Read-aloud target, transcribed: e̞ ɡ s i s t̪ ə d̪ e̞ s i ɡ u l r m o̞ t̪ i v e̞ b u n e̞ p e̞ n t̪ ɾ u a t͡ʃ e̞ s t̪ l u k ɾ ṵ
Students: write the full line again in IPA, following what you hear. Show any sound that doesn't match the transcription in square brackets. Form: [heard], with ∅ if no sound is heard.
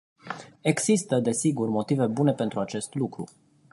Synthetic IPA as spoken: e̞ ɡ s i s t̪ ə d̪ e̞ s i ɡ u [∅] r m o̞ t̪ i v e̞ b u n e̞ p e̞ n t̪ ɾ u a t͡ʃ e̞ s t̪ l u k ɾ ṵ